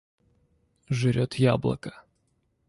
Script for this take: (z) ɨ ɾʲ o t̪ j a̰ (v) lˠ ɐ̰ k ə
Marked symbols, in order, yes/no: no, no

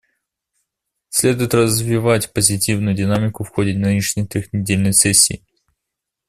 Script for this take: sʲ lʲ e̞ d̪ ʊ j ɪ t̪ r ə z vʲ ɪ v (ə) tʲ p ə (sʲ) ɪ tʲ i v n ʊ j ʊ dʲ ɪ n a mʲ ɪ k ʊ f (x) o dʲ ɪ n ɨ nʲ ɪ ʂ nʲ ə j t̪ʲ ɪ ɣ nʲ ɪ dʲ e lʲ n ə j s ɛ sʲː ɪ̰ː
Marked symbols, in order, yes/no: no, no, yes

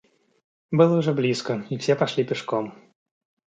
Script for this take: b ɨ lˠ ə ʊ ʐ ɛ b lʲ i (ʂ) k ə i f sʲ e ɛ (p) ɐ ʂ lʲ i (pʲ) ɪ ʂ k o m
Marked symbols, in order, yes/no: no, yes, yes

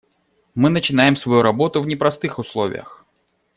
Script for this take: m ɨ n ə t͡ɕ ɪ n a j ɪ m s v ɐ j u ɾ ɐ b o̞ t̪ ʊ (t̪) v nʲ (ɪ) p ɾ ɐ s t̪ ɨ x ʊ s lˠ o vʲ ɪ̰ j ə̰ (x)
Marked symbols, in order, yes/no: no, yes, yes

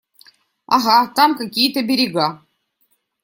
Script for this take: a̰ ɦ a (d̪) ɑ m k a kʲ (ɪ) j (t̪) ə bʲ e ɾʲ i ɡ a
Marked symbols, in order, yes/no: no, no, yes

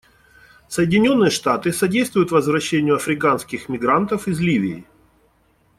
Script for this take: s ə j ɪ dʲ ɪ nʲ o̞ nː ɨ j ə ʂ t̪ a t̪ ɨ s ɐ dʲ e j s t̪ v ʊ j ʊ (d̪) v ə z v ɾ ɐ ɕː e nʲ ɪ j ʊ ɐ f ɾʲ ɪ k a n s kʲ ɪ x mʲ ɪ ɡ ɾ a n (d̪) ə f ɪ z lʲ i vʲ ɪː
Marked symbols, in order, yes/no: no, no

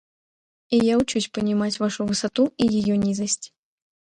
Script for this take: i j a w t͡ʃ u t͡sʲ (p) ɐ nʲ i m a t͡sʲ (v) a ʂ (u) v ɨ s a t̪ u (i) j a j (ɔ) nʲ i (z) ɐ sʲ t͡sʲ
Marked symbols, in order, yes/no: yes, yes, yes, yes, yes, yes

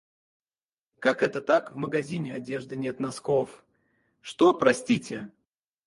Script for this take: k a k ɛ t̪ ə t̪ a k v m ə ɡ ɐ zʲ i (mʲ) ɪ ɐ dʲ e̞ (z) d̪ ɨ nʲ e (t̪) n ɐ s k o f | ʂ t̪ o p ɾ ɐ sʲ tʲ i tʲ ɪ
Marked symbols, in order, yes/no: no, no, yes

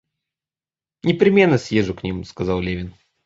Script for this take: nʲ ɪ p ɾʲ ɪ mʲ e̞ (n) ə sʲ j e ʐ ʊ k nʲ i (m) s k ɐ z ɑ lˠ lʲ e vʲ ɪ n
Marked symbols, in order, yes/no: no, yes

